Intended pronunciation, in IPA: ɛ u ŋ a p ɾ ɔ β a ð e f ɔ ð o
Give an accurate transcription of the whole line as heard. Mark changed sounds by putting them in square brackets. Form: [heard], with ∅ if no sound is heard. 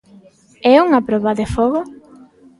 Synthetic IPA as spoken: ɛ u ŋ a p ɾ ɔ β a ð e f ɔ [ɣ] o